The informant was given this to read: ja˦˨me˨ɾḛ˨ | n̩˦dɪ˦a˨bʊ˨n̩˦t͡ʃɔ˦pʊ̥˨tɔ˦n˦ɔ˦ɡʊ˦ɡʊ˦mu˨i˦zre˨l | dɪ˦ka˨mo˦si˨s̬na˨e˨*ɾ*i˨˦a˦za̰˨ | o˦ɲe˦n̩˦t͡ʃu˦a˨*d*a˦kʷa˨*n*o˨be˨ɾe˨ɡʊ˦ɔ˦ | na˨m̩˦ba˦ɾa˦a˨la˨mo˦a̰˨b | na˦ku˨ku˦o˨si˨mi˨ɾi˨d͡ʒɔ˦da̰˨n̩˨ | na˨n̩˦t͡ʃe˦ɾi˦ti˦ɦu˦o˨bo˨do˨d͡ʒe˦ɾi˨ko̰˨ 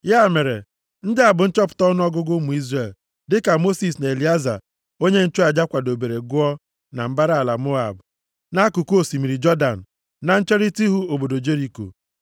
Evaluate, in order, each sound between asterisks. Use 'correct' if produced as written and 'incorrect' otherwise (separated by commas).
incorrect, incorrect, incorrect